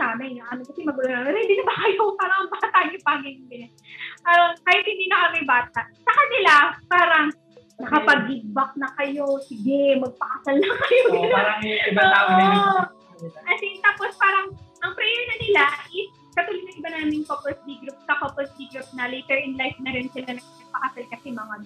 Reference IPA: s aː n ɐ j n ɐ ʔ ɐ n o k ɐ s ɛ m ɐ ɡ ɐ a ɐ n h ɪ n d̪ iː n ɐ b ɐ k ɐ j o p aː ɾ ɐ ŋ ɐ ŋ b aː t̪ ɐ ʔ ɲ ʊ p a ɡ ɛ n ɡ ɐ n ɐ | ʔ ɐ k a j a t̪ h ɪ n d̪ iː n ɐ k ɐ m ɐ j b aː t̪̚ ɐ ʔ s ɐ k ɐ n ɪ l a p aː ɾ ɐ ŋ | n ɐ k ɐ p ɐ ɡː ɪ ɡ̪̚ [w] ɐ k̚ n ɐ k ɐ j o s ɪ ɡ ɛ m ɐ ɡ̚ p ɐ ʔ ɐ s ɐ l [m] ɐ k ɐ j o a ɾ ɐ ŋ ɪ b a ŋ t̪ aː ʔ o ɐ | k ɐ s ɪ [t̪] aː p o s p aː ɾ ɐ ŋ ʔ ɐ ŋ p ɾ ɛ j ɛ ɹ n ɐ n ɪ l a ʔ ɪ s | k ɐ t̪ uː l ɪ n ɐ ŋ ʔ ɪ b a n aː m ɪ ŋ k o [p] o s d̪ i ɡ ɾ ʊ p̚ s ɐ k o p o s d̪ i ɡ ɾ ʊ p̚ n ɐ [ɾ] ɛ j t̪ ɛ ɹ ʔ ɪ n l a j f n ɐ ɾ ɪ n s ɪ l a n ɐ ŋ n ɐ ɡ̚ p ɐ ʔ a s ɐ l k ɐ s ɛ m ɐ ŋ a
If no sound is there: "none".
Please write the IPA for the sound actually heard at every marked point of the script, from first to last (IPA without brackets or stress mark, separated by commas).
b, n, t̪, p, l